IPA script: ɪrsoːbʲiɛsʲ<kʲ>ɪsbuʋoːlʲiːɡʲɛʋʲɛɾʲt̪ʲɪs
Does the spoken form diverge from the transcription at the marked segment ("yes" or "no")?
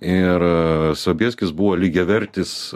no